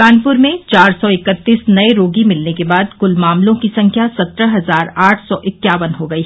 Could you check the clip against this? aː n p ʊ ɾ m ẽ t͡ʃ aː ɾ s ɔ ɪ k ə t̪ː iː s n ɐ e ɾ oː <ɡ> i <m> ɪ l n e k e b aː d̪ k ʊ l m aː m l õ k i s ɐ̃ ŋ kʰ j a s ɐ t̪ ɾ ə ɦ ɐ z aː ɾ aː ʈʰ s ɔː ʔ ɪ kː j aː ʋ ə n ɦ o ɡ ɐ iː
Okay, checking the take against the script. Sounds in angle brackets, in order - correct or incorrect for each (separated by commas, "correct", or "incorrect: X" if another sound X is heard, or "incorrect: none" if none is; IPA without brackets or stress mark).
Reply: correct, correct